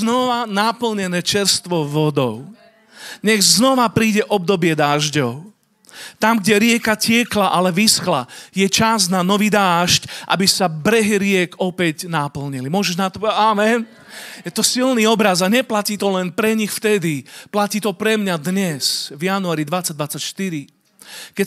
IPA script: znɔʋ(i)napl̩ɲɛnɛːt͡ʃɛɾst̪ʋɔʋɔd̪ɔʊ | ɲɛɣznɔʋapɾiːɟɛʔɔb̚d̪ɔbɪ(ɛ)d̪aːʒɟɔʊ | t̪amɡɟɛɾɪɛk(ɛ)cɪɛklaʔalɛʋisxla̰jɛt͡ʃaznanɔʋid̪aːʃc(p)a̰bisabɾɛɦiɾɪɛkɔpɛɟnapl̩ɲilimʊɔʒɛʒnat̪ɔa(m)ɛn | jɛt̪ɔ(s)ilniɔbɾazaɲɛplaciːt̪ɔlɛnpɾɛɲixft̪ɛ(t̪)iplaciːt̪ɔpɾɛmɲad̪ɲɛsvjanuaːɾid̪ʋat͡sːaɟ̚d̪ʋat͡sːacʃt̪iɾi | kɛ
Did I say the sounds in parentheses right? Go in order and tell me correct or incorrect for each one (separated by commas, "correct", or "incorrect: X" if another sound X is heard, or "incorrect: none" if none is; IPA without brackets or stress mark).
incorrect: a, correct, incorrect: a, incorrect: ʔ, correct, correct, incorrect: d̪